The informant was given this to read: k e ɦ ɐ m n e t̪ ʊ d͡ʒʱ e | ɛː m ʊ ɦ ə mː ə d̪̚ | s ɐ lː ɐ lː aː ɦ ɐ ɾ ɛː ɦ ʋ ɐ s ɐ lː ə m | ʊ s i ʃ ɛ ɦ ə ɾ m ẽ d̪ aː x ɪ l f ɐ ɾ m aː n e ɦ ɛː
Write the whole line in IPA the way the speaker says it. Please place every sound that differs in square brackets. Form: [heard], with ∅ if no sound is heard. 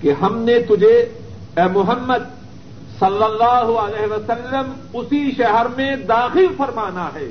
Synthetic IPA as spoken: k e ɦ ɐ m n e t̪ ʊ d͡ʒʱ e | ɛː m ʊ ɦ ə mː ə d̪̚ | s ɐ lː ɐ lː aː ɦ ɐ [l] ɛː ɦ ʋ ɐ s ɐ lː ə m | ʊ s i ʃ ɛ ɦ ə ɾ m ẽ d̪ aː x ɪ l f ɐ ɾ m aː n [a] ɦ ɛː